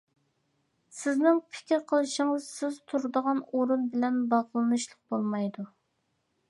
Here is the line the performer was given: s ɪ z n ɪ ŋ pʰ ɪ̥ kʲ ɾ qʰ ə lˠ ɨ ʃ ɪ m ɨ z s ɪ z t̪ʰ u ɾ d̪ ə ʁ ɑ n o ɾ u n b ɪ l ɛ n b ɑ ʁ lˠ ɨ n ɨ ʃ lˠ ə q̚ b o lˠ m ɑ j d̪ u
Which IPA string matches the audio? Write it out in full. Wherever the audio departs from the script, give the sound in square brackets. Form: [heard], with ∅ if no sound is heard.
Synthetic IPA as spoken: s ɪ z n ɪ ŋ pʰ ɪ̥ kʲ ɾ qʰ ə lˠ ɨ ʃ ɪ [ŋ] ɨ z s ɪ z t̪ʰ u ɾ d̪ ə ʁ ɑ n o ɾ u n b ɪ l ɛ n b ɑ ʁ lˠ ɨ n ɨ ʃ lˠ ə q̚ b o lˠ m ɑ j d̪ u